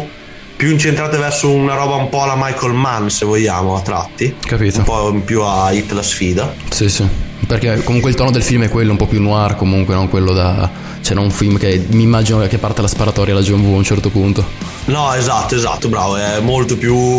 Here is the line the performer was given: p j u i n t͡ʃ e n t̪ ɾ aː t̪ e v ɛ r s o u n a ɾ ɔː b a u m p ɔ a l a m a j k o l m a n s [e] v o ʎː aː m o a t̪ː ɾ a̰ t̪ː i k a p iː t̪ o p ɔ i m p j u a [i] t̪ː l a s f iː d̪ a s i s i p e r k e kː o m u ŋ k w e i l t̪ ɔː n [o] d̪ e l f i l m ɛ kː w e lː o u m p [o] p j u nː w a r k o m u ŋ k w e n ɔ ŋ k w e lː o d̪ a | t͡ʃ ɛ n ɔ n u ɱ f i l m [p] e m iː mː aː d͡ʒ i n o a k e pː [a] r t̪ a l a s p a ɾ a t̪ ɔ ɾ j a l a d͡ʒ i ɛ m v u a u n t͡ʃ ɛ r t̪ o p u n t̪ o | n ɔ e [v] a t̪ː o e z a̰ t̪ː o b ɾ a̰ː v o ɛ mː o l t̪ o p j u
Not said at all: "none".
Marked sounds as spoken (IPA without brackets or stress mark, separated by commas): e, i, o, ɔ, k, a, z